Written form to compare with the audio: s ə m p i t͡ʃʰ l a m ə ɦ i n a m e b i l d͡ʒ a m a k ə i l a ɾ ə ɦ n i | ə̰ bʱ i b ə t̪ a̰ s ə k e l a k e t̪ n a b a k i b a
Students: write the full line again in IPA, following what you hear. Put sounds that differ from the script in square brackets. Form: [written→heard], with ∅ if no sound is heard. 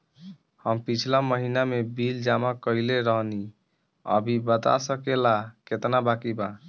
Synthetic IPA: [s→h] ə m p i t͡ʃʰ l a m ə ɦ i n a m e b i l d͡ʒ a m a k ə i l [a→e] ɾ ə ɦ n i | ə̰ bʱ i b ə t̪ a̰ s ə k e l a k e t̪ n a b a k i b a